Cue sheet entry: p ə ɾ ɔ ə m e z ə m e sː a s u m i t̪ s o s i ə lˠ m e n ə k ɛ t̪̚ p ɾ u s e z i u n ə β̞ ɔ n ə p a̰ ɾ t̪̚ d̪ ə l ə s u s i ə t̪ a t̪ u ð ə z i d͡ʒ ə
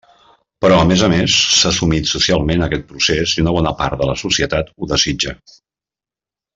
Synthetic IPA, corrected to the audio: p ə ɾ ɔ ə m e z ə m e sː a s u m i t̪ s u s i a lˠ m e n ə k ɛ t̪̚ p ɾ u s e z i u n ə β̞ ɔ n ə p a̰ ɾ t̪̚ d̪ ə l ə s u s i ə t̪ a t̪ u ð ə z i d͡ʒ ə